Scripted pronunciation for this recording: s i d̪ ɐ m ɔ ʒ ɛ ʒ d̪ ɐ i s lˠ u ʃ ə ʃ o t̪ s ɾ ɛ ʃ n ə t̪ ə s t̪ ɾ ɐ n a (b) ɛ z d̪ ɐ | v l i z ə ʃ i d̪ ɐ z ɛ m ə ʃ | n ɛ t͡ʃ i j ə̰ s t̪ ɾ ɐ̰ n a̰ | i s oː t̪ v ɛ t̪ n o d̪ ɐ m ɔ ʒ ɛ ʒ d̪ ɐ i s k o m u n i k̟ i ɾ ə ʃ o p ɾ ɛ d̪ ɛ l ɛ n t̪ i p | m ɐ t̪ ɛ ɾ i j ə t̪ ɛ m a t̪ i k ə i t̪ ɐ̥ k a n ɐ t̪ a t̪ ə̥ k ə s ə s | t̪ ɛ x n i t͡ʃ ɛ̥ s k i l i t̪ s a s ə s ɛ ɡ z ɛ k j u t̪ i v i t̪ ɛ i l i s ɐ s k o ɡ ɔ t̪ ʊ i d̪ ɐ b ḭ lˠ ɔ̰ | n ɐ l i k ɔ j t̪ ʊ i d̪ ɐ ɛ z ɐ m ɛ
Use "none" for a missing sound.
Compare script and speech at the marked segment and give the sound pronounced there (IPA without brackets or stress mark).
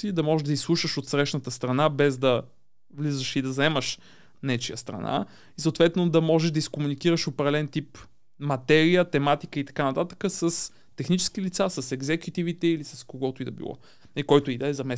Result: b